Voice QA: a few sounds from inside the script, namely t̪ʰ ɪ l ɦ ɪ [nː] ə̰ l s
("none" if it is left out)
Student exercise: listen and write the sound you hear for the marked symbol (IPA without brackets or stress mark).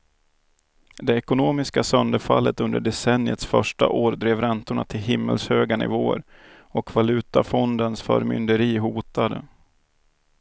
mː